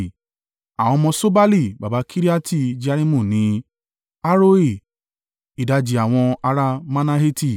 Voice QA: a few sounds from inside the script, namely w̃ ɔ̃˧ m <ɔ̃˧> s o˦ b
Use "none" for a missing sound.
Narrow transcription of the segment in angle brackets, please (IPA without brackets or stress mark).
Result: ɔ̃˧